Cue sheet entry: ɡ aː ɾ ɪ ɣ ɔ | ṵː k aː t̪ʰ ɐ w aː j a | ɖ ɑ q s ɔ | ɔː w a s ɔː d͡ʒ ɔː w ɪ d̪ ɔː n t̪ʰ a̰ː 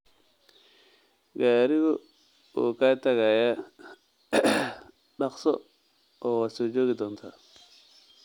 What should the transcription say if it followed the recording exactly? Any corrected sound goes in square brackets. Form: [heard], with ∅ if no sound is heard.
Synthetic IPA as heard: ɡ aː ɾ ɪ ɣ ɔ | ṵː k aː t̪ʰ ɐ [ɣ] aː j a | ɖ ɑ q s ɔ | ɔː w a s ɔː d͡ʒ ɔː [ɣ] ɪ d̪ ɔː n t̪ʰ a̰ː